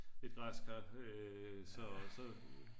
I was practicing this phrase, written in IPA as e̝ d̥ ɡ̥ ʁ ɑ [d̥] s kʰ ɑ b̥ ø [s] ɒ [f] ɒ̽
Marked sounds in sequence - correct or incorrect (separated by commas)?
incorrect, correct, incorrect